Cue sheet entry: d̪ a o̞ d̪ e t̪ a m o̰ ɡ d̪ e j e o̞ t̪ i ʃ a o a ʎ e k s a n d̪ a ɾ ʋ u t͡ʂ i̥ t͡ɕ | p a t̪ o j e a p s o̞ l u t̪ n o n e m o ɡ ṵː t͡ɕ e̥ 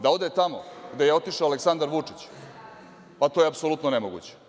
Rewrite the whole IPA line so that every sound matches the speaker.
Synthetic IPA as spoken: d̪ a o̞ d̪ e t̪ a m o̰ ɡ d̪ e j e o̞ t̪ i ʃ a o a l e k s a n d̪ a ɾ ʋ u t͡ʂ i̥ t͡ɕ | p a t̪ o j e a p s o̞ l u t̪ n o n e m o ɡ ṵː t͡ɕ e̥